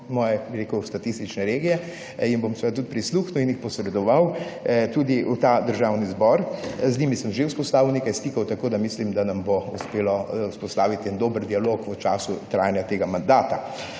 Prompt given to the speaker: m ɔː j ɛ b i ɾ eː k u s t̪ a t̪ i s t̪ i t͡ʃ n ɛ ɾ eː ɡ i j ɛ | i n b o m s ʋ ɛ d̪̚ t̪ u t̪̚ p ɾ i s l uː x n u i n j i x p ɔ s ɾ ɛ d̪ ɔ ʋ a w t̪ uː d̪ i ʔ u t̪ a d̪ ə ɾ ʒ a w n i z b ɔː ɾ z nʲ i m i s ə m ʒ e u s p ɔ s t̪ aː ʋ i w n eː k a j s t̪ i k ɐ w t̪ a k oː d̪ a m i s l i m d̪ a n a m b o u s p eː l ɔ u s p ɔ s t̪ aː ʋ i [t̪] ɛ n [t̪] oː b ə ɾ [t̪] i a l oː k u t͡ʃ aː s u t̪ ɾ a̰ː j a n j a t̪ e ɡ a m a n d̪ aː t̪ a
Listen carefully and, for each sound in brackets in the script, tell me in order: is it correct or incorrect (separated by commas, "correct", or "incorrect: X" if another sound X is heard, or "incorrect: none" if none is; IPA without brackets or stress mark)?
correct, incorrect: d̪, incorrect: d̪